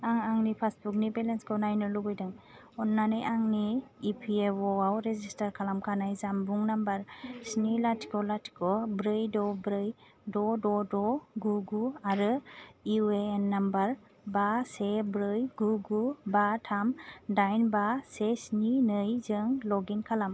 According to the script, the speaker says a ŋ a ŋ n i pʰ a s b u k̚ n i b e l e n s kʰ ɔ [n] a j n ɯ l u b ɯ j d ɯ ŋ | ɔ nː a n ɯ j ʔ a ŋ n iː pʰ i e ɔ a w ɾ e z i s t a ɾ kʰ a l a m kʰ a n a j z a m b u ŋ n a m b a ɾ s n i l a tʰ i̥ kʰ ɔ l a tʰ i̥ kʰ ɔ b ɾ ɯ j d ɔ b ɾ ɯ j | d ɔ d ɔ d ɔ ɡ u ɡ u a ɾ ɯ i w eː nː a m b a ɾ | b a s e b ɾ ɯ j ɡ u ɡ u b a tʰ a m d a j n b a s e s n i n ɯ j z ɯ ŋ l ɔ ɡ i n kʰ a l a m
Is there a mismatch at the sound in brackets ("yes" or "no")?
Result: no